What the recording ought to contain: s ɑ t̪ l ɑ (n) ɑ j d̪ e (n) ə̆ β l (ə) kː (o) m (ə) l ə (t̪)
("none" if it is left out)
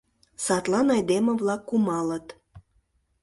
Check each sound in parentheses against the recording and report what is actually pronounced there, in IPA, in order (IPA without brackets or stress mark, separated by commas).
n, m, ɑ, u, ɑ, t̪